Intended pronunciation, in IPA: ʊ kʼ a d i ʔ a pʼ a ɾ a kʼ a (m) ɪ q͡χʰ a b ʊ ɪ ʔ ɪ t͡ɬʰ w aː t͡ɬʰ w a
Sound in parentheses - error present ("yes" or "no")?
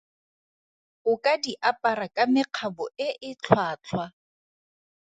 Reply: no